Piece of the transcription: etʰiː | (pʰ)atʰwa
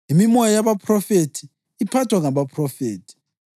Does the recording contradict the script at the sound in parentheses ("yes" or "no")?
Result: no